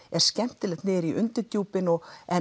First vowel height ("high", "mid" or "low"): mid